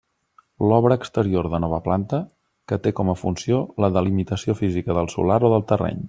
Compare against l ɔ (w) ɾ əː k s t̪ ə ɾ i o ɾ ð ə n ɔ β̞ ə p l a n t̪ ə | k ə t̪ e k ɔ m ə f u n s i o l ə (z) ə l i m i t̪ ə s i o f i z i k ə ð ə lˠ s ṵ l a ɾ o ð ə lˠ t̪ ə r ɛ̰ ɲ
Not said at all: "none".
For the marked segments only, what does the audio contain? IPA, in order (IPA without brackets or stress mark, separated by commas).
β, ð